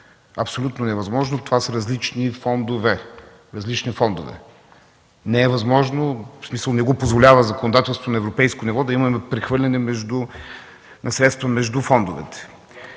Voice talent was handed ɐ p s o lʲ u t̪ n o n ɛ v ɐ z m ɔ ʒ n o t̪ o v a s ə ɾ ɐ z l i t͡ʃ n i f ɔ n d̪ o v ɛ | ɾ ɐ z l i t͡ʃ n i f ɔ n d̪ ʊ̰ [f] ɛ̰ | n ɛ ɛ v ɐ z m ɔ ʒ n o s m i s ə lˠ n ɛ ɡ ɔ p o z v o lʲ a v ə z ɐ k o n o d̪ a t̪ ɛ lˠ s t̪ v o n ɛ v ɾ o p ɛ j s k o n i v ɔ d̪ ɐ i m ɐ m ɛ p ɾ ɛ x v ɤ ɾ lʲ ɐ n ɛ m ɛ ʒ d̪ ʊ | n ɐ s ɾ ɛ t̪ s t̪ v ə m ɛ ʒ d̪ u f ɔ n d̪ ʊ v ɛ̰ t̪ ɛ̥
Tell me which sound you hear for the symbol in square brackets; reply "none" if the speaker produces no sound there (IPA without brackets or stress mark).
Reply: v